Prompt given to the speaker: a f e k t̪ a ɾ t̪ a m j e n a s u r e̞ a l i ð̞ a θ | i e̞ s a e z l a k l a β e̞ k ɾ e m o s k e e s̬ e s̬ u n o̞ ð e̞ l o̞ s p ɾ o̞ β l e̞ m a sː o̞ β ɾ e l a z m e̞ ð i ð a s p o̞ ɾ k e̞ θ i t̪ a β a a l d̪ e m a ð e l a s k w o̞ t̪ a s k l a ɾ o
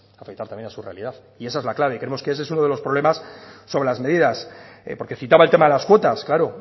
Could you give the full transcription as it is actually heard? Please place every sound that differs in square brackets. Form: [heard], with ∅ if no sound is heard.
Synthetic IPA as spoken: a f e k t̪ a ɾ t̪ a m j e n a s u r e̞ a l i ð̞ a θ | i e̞ s a e z l a k l a β e̞ k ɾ e m o s k e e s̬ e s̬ u n o̞ ð e̞ l o̞ s p ɾ o̞ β l e̞ m a sː o̞ β ɾ e l a z m e̞ ð i ð a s p o̞ ɾ k e̞ θ i t̪ a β a [e] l [t̪] e m a ð e l a s k w o̞ t̪ a s k l a ɾ o